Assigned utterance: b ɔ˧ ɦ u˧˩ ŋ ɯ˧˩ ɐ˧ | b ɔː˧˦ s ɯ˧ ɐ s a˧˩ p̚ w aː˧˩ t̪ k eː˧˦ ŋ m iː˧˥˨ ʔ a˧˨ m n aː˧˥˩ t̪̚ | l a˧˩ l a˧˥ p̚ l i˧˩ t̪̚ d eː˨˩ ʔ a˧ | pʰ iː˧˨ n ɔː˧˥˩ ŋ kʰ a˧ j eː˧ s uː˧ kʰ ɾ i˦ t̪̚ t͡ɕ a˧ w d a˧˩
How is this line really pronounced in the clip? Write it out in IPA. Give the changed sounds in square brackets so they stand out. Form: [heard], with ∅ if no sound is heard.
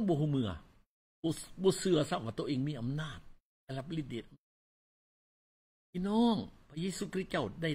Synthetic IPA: b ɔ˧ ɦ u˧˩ [m] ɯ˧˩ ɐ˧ | b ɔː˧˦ s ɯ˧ ɐ s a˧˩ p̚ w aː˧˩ t̪ [ʔ] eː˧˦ ŋ m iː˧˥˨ ʔ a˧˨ m n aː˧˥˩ t̪̚ | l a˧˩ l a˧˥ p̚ l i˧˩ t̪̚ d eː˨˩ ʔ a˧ | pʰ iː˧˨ n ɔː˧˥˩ ŋ [pʰ] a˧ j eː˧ s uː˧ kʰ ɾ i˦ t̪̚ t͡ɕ [a˥˩] w d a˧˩